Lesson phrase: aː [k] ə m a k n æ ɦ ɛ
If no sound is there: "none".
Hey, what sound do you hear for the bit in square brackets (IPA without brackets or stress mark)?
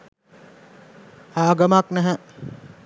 ɡ